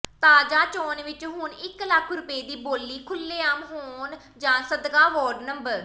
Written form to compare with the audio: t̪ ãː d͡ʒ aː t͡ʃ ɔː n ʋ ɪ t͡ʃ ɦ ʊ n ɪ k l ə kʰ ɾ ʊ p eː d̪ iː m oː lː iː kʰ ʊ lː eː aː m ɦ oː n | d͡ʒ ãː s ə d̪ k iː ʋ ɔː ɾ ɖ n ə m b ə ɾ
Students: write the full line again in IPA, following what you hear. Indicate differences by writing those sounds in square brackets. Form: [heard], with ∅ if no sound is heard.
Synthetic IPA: t̪ [aː] d͡ʒ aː t͡ʃ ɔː n ʋ ɪ t͡ʃ ɦ ʊ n ɪ k l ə kʰ ɾ ʊ p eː d̪ iː [b] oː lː iː kʰ ʊ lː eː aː m ɦ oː n | d͡ʒ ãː s ə d̪ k [aː] ʋ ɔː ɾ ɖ n ə m b ə ɾ